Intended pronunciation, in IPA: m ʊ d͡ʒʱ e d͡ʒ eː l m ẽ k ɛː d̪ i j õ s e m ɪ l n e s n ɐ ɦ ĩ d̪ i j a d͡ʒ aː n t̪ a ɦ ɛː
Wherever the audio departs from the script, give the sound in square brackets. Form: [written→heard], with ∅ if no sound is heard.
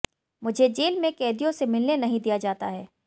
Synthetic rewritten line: m ʊ d͡ʒʱ e d͡ʒ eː l m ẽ k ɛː d̪ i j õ s e m ɪ l n e [s→∅] n ɐ ɦ ĩ d̪ i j a d͡ʒ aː [n→∅] t̪ a ɦ ɛː